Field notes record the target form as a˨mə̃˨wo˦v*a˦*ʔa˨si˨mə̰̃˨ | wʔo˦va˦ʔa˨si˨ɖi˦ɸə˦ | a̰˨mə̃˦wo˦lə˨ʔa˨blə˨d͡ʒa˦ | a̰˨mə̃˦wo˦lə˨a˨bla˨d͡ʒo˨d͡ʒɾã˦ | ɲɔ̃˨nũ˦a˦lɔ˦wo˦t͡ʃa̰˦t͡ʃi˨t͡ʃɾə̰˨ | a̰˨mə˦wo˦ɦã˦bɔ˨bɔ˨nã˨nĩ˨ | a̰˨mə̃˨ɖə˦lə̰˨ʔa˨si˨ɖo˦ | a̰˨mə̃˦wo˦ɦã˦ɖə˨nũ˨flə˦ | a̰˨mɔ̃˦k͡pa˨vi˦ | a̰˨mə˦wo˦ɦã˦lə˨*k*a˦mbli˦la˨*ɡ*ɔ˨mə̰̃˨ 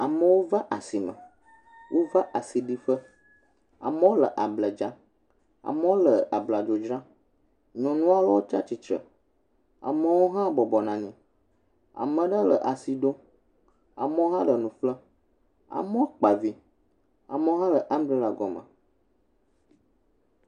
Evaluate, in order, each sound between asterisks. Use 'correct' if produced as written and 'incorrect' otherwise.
correct, incorrect: ʔ, correct

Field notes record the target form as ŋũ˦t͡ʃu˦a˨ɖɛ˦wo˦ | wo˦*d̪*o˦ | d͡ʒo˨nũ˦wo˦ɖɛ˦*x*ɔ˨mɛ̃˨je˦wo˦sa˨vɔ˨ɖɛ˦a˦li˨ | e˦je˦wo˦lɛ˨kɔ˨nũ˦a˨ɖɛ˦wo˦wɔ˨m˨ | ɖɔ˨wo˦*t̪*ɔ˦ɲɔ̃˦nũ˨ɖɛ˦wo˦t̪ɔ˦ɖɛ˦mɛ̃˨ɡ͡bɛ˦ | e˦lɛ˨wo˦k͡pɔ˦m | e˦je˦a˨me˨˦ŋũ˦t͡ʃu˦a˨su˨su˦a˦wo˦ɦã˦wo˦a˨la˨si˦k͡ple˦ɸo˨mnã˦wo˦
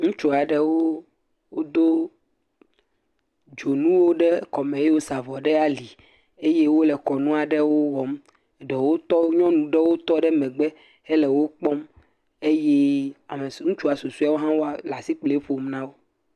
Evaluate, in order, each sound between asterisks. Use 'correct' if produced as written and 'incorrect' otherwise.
correct, incorrect: k, correct

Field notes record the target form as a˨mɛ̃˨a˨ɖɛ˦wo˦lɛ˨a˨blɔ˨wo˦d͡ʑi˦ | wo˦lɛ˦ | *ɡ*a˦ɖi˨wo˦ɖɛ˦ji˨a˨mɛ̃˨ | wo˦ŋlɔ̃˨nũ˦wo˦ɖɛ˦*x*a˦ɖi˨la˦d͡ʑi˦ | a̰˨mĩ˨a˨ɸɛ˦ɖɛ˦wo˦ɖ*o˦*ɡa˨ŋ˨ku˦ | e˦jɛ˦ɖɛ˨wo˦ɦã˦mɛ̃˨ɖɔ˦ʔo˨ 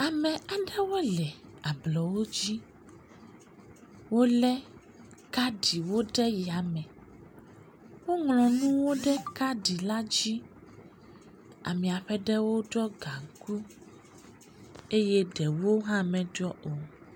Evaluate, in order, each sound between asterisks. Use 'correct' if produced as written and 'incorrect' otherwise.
incorrect: k, incorrect: k, incorrect: ɔ˦

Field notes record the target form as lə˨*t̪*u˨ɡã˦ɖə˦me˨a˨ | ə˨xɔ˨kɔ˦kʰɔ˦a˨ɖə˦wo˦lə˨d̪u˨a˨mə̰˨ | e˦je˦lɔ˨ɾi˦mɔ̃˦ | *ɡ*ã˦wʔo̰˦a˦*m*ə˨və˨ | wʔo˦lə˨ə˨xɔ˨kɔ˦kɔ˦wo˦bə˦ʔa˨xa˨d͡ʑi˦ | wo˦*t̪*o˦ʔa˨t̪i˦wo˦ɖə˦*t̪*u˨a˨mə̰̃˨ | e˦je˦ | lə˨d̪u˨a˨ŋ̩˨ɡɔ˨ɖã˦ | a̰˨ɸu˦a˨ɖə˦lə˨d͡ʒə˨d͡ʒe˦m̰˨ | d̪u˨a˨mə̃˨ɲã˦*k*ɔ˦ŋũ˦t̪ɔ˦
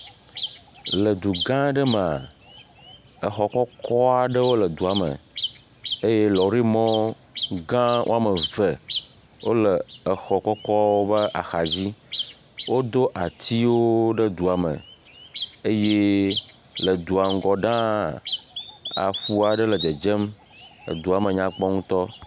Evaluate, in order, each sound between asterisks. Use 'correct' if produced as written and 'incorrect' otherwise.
incorrect: d̪, correct, correct, incorrect: d̪, incorrect: d̪, incorrect: k͡p

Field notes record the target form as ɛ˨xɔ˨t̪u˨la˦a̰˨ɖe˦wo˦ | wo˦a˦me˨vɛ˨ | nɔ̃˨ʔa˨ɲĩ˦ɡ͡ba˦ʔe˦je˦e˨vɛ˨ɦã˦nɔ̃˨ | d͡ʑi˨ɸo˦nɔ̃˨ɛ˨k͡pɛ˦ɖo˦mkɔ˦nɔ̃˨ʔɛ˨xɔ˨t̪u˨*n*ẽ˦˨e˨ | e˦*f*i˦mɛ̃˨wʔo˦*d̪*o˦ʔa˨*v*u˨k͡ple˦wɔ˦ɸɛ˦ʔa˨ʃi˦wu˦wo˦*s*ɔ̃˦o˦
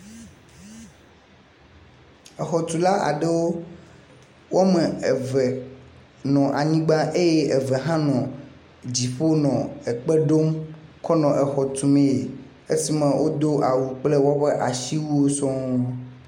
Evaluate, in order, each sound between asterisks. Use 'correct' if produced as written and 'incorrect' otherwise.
incorrect: m, incorrect: s, correct, incorrect: w, correct

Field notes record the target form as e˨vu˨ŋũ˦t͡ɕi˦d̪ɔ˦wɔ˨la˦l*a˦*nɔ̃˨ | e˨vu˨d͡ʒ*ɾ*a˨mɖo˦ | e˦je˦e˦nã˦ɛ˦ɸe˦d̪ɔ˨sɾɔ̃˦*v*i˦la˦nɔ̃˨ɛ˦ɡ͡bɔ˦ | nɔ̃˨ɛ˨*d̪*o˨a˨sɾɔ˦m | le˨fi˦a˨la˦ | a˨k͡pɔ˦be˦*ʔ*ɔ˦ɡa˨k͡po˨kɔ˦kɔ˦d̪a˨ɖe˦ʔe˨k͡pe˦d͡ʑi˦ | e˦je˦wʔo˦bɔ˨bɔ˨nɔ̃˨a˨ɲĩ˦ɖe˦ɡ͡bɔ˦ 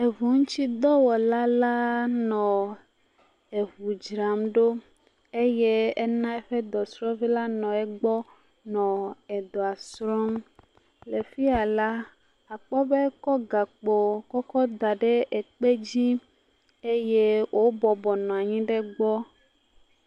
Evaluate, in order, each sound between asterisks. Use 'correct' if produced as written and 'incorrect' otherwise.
correct, correct, correct, correct, incorrect: k

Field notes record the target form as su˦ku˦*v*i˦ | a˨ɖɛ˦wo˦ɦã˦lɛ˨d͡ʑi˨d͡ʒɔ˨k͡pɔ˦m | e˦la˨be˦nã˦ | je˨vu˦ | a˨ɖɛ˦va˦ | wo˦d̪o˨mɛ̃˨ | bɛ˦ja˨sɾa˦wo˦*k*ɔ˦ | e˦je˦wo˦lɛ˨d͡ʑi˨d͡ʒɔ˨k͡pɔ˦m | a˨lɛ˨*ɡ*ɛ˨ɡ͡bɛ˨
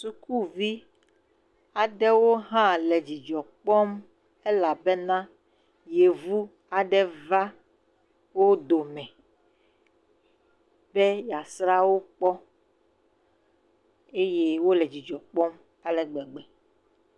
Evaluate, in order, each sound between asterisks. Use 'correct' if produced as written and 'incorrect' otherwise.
correct, incorrect: k͡p, incorrect: ɡ͡b

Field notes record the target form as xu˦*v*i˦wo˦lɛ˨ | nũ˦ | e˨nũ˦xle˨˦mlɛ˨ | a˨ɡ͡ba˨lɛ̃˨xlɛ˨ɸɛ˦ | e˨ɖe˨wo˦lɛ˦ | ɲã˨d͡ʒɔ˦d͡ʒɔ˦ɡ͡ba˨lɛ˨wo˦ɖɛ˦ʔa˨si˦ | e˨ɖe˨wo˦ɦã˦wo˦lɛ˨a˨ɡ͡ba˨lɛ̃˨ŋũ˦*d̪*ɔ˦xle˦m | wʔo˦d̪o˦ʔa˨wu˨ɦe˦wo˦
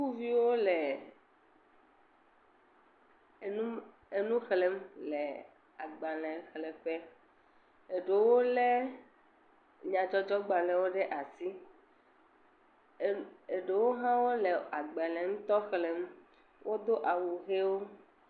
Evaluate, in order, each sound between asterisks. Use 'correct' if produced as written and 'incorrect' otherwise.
correct, incorrect: t̪

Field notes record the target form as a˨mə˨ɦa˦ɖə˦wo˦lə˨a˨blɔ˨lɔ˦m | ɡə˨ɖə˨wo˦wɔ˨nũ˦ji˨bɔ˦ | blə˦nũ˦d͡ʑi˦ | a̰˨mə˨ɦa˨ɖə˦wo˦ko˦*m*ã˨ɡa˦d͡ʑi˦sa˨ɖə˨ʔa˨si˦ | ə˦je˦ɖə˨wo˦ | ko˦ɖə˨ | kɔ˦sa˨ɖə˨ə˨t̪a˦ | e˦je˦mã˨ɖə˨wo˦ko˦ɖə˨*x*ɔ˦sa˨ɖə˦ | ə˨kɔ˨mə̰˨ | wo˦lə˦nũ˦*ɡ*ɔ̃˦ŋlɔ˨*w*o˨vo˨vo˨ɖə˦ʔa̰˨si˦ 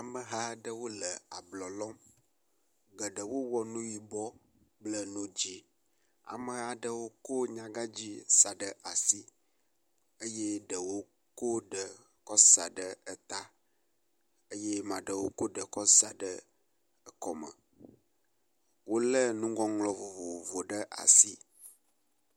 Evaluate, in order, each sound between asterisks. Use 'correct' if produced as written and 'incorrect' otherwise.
incorrect: ɲ, incorrect: k, correct, incorrect: v

